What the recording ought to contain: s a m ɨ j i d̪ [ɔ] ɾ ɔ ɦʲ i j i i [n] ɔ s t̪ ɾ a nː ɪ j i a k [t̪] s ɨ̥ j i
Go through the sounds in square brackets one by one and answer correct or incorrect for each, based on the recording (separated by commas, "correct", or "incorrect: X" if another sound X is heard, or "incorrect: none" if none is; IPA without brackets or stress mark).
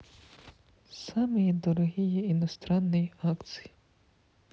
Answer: correct, correct, correct